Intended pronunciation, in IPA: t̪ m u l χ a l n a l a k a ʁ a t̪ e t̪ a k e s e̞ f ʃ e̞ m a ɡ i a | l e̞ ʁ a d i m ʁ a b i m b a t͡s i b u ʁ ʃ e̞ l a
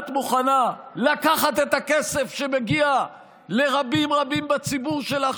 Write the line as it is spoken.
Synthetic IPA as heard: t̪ m u χ a n a l a k a χ a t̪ e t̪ a k e s e̞ f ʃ e̞ m e ɡ i a | l e̞ ʁ a b i m ʁ a b i m b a t͡s i b u ʁ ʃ e̞ l a